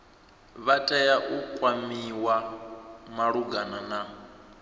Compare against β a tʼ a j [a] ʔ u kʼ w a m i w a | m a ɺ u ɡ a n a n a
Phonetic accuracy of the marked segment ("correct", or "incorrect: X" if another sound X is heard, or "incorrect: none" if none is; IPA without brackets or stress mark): correct